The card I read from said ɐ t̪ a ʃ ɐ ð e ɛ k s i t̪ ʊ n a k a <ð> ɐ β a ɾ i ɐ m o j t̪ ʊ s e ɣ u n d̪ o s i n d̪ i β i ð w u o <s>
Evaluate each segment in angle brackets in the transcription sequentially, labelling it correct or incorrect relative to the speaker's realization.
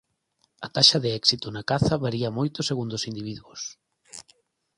incorrect: θ, correct

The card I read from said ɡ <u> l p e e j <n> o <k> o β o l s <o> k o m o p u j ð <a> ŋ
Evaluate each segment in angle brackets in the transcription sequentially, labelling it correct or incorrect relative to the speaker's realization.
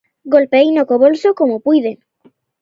incorrect: o, correct, correct, correct, incorrect: e

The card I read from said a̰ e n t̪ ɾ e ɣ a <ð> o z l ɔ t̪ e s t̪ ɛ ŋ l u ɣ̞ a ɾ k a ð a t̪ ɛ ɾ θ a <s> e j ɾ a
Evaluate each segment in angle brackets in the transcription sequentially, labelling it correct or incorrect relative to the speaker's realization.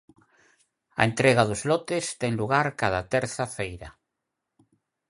correct, incorrect: f

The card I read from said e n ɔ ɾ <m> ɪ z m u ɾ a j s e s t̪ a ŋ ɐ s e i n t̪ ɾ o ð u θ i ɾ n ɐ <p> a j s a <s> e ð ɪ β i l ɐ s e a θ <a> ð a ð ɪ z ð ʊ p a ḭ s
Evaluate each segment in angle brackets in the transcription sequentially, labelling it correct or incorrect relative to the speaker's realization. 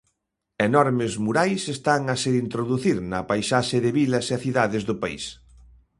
correct, correct, incorrect: ʃ, incorrect: i

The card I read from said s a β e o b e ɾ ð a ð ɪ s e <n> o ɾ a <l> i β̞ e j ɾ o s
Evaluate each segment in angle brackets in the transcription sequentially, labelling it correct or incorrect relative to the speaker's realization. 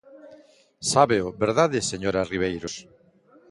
incorrect: ɲ, incorrect: r

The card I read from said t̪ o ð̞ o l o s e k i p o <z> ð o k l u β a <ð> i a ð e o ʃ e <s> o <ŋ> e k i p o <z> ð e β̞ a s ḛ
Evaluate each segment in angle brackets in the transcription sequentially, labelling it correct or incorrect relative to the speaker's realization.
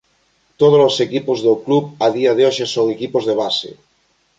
correct, correct, correct, correct, correct

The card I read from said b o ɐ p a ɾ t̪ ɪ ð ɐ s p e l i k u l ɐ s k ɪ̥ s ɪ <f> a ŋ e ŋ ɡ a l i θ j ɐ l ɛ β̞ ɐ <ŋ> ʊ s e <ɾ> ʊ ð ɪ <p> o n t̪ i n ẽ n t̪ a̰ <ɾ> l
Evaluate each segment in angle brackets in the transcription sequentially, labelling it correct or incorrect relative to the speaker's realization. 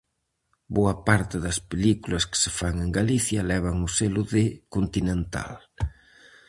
correct, correct, incorrect: l, incorrect: k, incorrect: none

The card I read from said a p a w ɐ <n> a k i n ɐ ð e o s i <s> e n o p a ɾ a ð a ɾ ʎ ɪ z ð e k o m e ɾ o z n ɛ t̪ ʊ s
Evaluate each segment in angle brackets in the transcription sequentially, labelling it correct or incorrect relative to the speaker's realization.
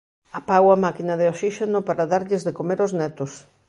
incorrect: m, incorrect: ʃ

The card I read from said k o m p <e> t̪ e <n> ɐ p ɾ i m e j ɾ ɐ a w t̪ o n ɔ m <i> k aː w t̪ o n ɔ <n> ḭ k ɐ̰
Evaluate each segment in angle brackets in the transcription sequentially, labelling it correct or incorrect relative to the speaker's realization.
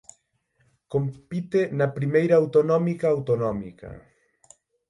incorrect: i, correct, correct, incorrect: m

